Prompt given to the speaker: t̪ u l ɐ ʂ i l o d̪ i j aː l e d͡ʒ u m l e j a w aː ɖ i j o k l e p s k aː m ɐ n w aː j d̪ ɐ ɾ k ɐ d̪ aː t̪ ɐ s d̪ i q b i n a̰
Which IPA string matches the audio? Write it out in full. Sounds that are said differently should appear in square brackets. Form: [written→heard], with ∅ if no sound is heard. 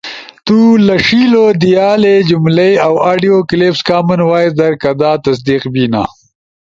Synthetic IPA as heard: t̪ u l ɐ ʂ i l o d̪ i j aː l e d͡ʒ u m l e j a w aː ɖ i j o k l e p s k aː m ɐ n w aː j d̪ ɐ ɾ k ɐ d̪ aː t̪ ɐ s d̪ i q b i n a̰